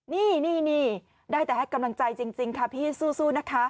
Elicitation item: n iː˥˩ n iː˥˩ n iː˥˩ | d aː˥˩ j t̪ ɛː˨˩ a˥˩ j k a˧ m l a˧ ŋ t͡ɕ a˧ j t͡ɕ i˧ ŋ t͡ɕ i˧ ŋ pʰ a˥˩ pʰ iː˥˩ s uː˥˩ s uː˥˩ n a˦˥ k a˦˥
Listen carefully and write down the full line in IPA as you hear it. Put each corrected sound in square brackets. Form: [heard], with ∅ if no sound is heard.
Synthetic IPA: n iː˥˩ n iː˥˩ n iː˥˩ | d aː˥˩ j t̪ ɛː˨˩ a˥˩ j k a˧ m l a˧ ŋ t͡ɕ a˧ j t͡ɕ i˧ ŋ t͡ɕ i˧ ŋ [kʰ] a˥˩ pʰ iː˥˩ s uː˥˩ s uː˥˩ n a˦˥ [kʰ] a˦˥